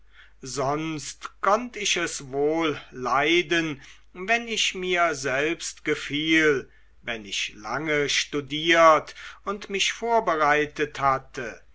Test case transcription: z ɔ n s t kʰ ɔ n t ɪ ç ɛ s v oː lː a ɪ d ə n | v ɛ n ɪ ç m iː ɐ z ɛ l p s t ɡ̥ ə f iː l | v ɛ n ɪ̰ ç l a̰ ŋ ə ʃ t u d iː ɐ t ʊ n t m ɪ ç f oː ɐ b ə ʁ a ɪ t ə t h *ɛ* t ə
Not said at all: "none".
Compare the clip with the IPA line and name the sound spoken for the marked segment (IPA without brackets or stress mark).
a